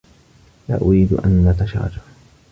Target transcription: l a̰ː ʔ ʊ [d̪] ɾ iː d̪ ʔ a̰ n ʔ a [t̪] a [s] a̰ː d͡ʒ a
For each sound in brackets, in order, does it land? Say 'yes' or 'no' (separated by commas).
no, yes, no